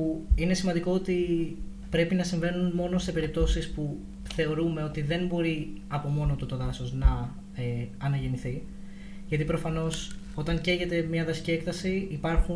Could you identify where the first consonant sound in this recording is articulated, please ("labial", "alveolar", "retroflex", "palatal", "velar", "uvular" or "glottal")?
alveolar